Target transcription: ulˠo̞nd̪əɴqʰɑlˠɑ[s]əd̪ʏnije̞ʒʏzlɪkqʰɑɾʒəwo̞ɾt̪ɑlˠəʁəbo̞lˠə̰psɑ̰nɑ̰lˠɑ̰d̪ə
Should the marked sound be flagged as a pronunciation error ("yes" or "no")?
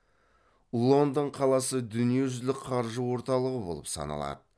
no